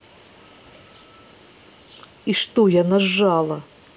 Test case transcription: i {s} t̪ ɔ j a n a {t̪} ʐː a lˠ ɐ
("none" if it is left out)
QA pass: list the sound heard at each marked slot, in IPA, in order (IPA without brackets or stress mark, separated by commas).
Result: ʂ, none